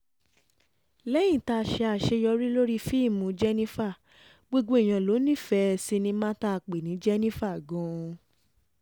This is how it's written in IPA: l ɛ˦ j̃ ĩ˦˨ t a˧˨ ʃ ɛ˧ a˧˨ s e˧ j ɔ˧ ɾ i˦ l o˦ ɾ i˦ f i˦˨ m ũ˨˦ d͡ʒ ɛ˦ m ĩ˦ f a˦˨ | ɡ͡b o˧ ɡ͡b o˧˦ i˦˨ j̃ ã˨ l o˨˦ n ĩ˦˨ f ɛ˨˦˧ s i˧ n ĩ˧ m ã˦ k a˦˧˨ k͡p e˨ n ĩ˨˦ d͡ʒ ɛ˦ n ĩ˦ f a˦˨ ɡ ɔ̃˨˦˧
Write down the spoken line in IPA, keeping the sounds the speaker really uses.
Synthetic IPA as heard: l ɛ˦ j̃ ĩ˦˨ t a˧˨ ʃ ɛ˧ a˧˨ ʃ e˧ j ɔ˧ ɾ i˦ l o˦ ɾ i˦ f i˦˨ m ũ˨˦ d͡ʒ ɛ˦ n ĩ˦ f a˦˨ | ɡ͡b o˧ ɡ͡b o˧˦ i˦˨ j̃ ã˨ l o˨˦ n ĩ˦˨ f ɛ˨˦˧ s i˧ n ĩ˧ m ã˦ t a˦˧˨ k͡p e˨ n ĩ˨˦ d͡ʒ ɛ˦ n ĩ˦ f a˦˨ ɡ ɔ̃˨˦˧